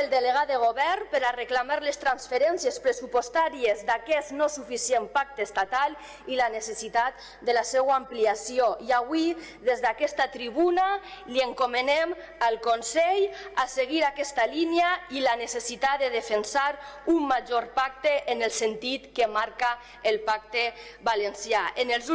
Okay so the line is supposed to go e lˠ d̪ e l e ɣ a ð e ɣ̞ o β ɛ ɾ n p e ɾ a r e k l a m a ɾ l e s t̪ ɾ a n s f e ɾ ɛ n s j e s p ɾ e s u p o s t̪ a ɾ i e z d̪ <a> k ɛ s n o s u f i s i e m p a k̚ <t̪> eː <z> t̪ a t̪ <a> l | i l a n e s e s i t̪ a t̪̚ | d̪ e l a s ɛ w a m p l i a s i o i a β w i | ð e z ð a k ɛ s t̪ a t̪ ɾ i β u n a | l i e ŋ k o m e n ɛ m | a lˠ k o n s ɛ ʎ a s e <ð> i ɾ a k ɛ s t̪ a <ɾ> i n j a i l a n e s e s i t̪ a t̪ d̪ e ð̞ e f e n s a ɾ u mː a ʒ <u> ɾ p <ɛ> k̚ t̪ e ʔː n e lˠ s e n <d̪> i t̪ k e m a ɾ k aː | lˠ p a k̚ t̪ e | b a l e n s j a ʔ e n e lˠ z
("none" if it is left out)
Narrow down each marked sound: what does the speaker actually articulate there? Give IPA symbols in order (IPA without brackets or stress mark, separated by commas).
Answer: a, t̪, s, a, ɣ, l, o, a, t̪